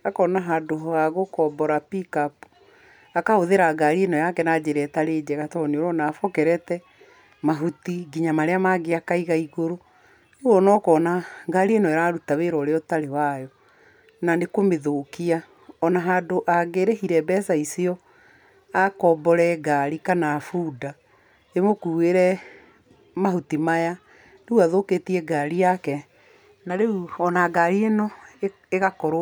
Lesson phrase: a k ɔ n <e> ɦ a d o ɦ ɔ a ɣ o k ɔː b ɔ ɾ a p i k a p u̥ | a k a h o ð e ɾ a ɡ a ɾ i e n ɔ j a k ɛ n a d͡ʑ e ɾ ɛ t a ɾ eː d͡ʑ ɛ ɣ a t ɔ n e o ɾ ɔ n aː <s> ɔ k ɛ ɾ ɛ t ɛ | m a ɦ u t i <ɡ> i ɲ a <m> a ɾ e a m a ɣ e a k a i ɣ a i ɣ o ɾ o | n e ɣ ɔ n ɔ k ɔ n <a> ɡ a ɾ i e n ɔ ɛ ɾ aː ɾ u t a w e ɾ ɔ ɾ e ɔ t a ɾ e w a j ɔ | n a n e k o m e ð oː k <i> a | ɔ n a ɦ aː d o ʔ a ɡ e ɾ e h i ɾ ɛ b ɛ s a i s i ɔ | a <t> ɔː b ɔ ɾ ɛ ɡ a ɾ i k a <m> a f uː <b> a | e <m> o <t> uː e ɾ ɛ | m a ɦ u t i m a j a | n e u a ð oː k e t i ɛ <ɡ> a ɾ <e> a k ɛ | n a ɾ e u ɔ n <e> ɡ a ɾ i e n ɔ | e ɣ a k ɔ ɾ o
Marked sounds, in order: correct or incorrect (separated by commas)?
incorrect, incorrect, correct, correct, correct, correct, incorrect, incorrect, incorrect, correct, incorrect, correct, incorrect, incorrect